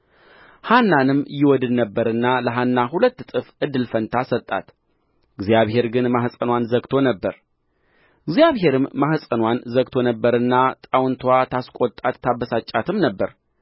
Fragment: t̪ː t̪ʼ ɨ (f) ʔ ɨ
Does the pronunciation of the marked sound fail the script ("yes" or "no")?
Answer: no